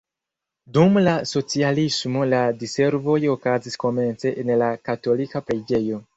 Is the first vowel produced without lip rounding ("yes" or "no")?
no